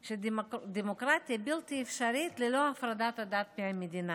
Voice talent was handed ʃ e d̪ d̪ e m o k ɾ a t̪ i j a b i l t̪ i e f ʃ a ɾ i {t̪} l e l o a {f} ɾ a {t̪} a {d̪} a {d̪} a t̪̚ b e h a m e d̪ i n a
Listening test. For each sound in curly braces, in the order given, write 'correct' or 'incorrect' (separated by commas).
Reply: correct, correct, incorrect, incorrect, correct